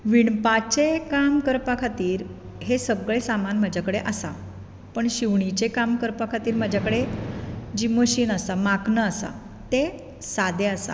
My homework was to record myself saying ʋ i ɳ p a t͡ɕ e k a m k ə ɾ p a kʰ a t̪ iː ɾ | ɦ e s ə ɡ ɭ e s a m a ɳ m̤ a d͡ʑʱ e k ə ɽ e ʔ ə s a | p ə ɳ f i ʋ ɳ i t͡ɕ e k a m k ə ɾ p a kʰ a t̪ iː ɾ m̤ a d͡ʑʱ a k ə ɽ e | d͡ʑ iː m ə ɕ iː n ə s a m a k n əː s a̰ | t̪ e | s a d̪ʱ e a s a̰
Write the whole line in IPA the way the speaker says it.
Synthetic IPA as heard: ʋ i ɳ p a t͡ɕ e k a m k ə ɾ p a kʰ a t̪ iː ɾ | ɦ e s ə ɡ ɭ e s a m a n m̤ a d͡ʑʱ a k ə ɽ e ʔ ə s a | p ə ɳ ɕ i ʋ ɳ i t͡ɕ e k a m k ə ɾ p a kʰ a t̪ iː ɾ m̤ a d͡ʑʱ a k ə ɽ e | d͡ʑ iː m ə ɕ iː n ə s a m a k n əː s a̰ | t̪ e | s a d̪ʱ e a s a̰

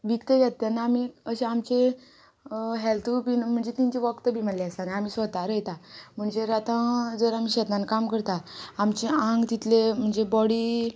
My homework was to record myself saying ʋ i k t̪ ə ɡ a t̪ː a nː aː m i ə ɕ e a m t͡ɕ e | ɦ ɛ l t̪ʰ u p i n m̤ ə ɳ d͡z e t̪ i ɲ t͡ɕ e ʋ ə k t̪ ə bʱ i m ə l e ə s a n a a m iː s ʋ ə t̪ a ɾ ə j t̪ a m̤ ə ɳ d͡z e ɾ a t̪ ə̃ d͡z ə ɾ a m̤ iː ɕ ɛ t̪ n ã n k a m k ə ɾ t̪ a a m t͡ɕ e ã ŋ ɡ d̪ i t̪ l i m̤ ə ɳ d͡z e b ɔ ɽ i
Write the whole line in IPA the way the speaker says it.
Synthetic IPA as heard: ʋ i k t̪ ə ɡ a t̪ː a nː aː m i ə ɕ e a m t͡ɕ e | ɦ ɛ l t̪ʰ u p i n m̤ ə ɳ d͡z e t̪ i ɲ t͡ɕ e ʋ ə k t̪ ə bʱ i m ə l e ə s a n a a m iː s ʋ ə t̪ a ɾ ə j t̪ a m̤ ə ɳ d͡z e ɾ a t̪ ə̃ d͡z ə ɾ a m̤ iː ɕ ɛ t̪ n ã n k a m k ə ɾ t̪ a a m t͡ɕ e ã ŋ ɡ t̪ i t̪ l e m̤ ə ɳ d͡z e b ɔ ɽ i

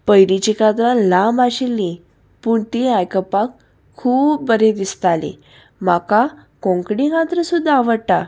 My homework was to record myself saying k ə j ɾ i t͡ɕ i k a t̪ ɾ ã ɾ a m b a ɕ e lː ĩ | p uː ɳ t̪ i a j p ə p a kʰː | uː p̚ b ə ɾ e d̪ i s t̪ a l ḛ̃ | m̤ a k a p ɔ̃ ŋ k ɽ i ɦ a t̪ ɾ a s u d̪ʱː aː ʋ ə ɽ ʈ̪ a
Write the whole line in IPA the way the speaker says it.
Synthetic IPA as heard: p ə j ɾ i t͡ɕ i k a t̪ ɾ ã l a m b a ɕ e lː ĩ | p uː ɳ t̪ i a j k ə p a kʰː | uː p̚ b ə ɾ e d̪ i s t̪ a l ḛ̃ | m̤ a k a k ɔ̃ ŋ k ɽ i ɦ a t̪ ɾ ə s u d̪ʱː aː ʋ ə ɽ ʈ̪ a

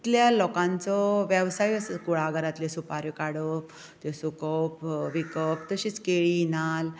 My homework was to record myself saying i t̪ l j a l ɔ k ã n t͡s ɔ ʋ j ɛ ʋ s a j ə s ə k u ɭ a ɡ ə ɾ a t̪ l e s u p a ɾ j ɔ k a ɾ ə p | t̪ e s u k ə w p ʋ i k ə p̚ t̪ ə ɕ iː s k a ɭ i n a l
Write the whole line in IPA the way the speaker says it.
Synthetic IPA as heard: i t̪ l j a l ɔ k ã n t͡s ɔ ʋ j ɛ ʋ s a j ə s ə k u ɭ a ɡ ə ɾ a t̪ l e s u p a ɾ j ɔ k a ɽ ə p | t̪ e s u k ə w p ʋ i k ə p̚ t̪ ə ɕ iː t͡s k e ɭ i n a l

